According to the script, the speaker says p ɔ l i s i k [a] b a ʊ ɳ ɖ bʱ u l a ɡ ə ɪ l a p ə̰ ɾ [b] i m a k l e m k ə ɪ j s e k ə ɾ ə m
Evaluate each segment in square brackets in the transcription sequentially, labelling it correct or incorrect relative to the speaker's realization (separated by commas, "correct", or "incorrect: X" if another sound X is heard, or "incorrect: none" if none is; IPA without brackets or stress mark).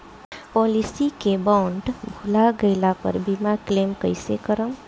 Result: incorrect: e, correct